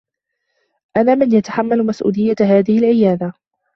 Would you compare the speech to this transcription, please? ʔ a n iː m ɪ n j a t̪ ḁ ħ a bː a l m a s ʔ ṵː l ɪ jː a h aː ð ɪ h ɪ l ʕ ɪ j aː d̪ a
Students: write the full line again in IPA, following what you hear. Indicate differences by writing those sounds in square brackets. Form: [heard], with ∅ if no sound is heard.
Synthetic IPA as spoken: ʔ a n [aː] m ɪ n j a t̪ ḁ ħ a [mː] a l m a s ʔ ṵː l ɪ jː a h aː ð ɪ h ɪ l ʕ ɪ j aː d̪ a